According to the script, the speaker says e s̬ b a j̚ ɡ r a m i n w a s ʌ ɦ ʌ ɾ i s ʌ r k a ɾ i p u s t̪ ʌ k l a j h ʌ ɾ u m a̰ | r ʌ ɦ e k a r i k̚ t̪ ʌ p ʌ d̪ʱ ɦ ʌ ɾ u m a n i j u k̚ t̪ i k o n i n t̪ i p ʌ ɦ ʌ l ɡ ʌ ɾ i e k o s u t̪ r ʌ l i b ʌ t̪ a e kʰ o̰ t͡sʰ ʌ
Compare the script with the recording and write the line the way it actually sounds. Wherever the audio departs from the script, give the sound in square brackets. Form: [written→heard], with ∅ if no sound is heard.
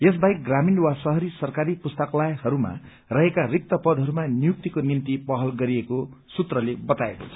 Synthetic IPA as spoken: e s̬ b a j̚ ɡ r a m i n w a s ʌ ɦ ʌ ɾ i s ʌ r k a ɾ i p u s t̪ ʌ k l a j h ʌ ɾ u m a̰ | r ʌ ɦ e k a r i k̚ t̪ ʌ p ʌ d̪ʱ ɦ ʌ ɾ u m a n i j u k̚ t̪ i k o n i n t̪ i p ʌ ɦ ʌ l ɡ ʌ ɾ i e k o s u t̪ r ʌ l [i→e] b ʌ t̪ a e [kʰ→k] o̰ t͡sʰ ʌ